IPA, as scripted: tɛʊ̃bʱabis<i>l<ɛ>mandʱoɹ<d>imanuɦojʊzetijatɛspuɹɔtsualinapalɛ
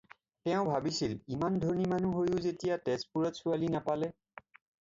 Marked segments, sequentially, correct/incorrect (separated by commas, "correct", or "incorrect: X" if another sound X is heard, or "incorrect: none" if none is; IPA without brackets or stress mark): correct, incorrect: i, incorrect: n